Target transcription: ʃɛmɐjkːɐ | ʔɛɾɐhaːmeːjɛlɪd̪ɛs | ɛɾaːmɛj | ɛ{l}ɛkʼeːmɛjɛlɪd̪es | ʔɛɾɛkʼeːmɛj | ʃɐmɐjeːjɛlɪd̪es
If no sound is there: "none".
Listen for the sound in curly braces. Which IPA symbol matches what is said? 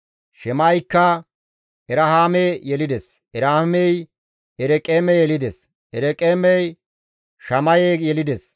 ɾ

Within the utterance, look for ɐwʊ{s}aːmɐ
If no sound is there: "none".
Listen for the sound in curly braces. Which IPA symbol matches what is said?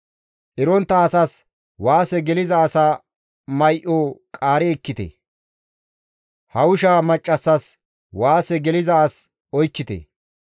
ʃ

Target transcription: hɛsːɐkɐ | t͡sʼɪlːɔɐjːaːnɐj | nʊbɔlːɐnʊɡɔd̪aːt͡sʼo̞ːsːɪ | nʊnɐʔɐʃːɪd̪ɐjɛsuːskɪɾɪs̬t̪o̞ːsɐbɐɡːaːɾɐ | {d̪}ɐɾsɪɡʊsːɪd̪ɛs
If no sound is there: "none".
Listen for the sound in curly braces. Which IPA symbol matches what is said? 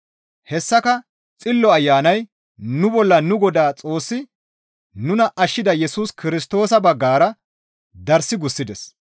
d̪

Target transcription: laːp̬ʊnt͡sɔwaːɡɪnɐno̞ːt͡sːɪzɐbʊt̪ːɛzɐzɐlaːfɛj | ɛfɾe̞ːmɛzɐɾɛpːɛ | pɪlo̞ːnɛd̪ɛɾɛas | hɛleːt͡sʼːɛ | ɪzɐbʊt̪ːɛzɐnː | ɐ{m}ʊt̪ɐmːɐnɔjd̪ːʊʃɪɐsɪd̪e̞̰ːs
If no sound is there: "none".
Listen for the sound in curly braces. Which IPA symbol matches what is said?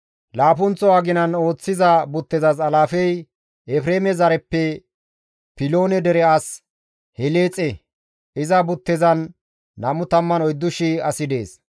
m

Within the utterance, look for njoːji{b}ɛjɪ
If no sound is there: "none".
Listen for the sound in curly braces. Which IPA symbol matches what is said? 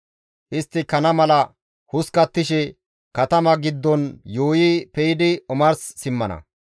p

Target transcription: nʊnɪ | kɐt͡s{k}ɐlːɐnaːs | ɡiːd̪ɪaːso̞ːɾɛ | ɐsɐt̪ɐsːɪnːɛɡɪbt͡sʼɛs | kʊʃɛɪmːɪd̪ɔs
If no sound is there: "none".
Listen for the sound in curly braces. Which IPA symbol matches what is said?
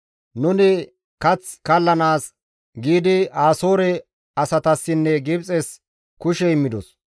k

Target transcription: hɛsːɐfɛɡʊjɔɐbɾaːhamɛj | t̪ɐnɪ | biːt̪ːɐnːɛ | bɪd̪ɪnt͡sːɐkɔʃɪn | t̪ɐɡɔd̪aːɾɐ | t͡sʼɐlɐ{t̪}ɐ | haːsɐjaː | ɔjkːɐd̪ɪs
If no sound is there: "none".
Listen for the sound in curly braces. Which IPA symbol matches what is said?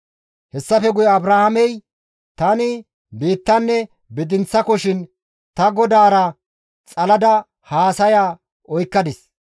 d̪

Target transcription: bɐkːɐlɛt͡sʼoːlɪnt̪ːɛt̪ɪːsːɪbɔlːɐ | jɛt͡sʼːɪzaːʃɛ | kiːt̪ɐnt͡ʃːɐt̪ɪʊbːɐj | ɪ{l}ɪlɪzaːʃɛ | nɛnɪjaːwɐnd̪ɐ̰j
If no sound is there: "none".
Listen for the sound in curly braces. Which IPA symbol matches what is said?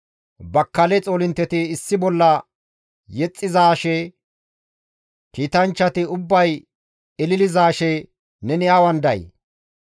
l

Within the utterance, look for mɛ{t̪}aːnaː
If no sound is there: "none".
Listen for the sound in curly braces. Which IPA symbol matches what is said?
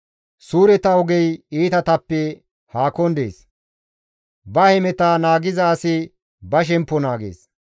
t̪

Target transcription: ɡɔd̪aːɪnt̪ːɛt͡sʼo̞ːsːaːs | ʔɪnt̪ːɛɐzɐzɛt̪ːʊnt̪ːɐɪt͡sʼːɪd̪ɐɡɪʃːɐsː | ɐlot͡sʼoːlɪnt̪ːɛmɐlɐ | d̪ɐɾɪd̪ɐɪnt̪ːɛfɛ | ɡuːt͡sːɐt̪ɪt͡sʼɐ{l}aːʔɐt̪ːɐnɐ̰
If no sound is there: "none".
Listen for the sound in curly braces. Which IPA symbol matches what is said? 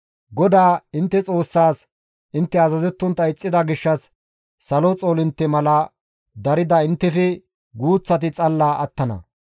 lː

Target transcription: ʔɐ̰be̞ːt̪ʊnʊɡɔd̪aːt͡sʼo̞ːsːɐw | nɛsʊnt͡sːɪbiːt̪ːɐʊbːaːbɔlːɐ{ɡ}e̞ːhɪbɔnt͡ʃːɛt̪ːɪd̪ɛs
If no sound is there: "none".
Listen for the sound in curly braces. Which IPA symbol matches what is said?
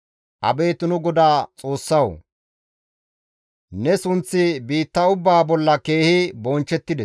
k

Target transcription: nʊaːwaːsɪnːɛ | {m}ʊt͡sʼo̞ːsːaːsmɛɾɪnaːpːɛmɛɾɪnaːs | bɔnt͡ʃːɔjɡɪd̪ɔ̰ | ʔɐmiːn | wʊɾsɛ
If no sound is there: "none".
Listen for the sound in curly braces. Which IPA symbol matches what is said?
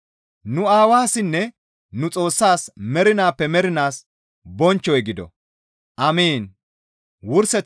n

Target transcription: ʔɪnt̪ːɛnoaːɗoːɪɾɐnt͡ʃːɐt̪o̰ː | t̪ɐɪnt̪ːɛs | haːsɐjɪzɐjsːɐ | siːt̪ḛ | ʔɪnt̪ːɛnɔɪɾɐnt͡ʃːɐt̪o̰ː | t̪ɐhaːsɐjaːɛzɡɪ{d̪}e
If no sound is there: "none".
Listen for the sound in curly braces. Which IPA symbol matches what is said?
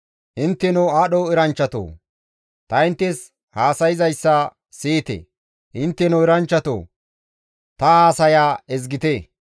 t̪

